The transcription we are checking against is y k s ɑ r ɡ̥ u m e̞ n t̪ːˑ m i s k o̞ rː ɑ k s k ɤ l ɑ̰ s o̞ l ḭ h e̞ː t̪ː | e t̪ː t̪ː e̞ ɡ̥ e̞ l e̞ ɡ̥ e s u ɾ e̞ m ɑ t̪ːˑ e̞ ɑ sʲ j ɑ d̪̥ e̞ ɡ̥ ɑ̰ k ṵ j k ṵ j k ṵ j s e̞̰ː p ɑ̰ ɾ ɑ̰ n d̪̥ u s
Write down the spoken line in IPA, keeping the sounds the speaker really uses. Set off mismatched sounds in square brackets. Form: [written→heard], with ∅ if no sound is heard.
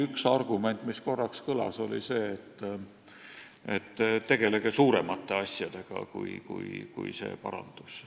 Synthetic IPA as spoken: y k s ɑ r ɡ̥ u m e̞ n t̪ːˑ m i s k o̞ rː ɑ k s k ɤ l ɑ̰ s o̞ l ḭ [h→s] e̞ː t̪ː | e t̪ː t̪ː e̞ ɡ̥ e̞ l e̞ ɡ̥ e s [u→uː] ɾ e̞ m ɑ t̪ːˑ e̞ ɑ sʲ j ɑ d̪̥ e̞ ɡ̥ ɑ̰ k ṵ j k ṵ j k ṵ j s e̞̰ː p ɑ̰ ɾ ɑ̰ n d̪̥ u s